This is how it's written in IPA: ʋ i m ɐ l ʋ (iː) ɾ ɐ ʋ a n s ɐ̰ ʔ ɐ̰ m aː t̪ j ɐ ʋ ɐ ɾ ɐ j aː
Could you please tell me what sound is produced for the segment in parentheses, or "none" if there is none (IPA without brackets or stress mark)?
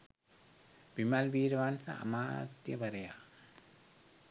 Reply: iː